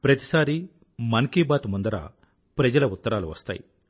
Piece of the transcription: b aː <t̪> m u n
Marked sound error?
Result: no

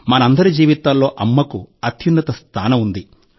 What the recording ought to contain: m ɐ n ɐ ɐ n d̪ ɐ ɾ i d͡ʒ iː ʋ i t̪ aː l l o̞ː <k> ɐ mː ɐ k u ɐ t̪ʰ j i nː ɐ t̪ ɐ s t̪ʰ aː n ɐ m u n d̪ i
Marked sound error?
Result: yes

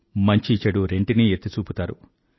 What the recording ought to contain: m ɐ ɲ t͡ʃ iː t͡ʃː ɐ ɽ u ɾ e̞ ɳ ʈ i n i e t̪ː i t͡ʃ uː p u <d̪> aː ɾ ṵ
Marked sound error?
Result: yes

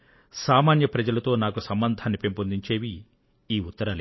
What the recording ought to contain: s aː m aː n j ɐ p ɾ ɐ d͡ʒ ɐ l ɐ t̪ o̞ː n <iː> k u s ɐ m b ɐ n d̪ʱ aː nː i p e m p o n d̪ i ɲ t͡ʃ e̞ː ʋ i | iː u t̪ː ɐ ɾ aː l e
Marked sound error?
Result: yes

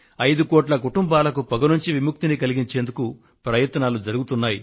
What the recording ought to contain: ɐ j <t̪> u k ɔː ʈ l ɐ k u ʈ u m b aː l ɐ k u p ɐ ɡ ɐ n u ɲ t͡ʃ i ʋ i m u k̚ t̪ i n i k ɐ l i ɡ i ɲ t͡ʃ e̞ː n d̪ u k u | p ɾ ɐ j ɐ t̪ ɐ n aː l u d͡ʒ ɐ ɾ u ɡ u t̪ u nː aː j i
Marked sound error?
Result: yes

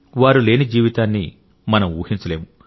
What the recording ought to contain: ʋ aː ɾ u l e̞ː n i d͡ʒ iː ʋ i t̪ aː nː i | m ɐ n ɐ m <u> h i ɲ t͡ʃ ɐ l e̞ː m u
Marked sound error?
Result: yes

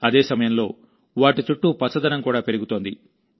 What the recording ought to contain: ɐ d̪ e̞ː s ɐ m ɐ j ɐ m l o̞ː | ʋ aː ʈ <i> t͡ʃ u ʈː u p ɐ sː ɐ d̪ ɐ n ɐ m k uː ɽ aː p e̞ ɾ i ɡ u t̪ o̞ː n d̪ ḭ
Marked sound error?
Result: no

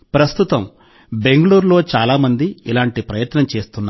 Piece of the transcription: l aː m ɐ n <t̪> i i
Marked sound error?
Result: yes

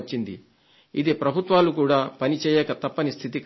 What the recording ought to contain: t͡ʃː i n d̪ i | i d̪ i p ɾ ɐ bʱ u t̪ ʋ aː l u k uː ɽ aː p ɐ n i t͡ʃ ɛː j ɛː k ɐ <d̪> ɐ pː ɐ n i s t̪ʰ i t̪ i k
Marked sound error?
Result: yes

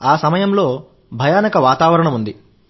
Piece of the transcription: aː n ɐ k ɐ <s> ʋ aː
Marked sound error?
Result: yes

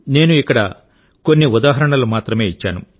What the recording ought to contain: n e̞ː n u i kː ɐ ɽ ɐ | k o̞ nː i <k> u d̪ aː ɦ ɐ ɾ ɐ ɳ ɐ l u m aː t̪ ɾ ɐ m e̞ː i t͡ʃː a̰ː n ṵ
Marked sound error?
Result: yes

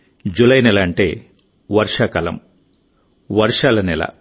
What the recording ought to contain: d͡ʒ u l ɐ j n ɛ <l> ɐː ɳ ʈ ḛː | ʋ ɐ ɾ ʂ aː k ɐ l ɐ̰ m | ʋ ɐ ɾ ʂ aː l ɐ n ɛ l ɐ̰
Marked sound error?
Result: no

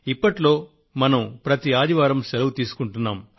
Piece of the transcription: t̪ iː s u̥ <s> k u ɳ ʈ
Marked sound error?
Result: yes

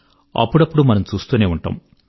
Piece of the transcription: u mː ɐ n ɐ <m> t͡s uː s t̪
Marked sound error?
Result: no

